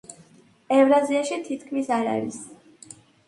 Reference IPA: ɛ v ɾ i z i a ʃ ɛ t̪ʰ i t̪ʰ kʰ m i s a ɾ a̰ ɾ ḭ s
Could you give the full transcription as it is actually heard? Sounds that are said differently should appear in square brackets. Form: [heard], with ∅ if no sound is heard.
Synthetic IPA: ɛ v ɾ [a] z i a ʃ [i] t̪ʰ i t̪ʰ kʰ m i s a ɾ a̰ ɾ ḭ s